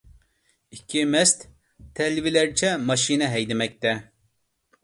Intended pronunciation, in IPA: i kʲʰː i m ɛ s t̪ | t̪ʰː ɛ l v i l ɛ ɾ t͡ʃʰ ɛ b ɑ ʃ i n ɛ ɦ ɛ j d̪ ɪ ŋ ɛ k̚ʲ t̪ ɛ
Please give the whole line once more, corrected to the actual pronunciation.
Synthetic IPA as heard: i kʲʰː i m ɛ s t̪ | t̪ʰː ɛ l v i l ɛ ɾ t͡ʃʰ ɛ m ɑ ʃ i n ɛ ɦ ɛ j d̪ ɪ m ɛ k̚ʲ t̪ ɛ